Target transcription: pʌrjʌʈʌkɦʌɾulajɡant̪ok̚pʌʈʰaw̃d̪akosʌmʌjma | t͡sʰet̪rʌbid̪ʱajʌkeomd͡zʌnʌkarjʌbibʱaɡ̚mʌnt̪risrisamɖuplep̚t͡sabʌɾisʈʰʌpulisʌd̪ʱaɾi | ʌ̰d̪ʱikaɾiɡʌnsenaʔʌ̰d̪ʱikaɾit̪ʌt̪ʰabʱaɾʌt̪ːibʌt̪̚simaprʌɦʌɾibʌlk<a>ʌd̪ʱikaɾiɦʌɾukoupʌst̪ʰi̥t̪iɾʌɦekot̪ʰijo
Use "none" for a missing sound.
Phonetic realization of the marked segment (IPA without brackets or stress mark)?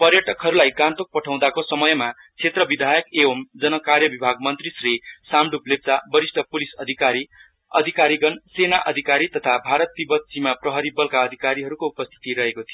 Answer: a